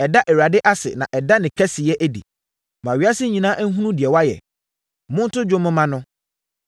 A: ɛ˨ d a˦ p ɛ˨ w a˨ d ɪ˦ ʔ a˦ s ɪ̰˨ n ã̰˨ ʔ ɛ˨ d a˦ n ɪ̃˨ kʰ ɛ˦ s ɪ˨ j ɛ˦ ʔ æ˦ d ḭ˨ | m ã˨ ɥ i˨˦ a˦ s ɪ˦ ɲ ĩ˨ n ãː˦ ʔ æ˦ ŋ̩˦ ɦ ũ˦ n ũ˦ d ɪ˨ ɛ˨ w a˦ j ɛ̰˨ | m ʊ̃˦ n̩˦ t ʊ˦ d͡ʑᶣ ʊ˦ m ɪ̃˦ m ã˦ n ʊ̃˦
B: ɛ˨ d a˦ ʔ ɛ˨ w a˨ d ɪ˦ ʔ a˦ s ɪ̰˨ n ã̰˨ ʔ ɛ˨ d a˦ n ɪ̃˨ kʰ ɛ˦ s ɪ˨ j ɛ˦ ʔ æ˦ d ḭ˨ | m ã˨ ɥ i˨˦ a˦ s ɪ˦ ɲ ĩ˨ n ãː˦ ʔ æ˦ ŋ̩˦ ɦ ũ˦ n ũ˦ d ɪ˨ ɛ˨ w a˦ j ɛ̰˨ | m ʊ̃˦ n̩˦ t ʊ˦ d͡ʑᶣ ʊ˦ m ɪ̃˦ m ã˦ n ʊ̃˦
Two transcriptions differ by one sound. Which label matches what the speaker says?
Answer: B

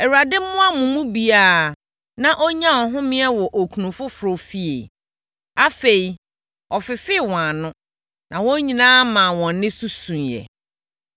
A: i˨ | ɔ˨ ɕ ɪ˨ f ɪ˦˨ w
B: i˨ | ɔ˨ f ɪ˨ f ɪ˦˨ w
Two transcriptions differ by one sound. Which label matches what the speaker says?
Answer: B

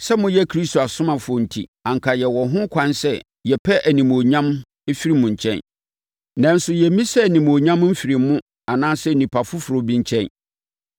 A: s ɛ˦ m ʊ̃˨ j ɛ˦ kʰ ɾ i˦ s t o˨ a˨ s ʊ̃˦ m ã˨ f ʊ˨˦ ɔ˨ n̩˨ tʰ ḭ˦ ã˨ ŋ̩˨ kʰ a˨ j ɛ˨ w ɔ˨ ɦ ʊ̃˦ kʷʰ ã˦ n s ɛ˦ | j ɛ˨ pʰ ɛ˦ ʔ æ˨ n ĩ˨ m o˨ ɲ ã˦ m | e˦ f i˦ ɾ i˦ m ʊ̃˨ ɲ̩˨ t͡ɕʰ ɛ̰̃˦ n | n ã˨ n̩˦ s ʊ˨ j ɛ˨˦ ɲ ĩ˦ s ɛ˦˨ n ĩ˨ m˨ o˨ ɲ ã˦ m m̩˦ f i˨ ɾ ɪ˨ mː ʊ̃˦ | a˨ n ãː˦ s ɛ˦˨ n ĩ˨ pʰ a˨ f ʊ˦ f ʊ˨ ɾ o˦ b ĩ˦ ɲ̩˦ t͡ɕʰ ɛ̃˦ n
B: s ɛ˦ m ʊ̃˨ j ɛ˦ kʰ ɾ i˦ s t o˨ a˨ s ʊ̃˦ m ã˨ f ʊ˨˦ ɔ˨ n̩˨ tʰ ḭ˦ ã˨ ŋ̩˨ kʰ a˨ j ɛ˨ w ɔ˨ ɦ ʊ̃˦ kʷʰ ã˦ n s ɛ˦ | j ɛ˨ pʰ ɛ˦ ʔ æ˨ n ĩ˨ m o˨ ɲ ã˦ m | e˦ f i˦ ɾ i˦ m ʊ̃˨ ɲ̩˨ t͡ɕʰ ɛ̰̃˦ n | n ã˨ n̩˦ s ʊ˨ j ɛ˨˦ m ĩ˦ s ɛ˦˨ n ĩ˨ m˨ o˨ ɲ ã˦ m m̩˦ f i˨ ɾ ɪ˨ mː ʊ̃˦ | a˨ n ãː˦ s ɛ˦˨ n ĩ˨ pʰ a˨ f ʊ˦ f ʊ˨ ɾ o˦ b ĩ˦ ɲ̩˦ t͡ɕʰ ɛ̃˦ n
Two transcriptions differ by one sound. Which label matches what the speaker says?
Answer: B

